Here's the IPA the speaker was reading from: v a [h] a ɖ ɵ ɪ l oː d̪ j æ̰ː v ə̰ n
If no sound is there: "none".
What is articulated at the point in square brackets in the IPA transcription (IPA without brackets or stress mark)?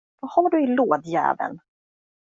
h